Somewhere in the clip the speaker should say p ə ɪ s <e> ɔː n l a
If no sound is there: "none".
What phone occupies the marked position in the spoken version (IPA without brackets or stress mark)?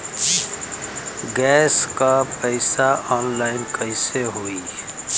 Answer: a